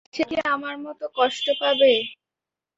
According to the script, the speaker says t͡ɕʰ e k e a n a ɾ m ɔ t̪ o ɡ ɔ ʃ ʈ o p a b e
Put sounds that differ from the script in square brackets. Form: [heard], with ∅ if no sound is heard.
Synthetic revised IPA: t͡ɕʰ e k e a [m] a ɾ m ɔ t̪ o [k] ɔ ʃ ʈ o p a b e